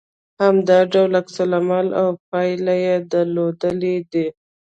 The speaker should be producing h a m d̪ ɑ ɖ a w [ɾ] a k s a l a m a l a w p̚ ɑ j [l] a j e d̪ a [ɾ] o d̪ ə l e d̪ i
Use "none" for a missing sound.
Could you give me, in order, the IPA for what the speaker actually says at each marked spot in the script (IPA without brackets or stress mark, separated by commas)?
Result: l, l, l